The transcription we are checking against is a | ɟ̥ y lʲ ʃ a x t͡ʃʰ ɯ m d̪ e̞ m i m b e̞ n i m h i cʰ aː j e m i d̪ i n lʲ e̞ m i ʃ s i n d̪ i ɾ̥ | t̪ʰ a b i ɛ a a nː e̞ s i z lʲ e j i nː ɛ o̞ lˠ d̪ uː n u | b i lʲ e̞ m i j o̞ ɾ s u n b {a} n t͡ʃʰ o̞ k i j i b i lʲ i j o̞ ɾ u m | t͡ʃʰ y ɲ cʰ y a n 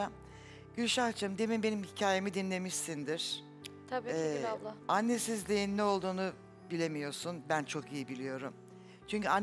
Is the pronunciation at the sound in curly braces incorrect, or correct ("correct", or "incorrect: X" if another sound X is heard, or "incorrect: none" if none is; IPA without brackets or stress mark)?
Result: incorrect: æ